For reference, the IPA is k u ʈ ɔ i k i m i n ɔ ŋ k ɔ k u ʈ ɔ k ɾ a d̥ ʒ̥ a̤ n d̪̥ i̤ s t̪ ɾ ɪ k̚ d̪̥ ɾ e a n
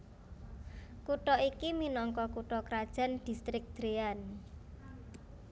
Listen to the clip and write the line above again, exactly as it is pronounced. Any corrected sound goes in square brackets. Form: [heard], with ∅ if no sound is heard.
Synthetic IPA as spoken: k u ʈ ɔ i k i m i n ɔ ŋ k ɔ k u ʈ ɔ k ɾ a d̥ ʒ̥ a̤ n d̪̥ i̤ s t̪ ɾ ɪ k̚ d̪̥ ɾ e a n